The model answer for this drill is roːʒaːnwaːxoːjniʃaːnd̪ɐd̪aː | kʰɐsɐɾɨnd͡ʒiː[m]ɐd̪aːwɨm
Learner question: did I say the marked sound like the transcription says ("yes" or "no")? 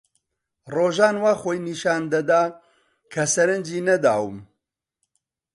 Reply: no